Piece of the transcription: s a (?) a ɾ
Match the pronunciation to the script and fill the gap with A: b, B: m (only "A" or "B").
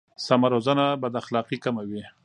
B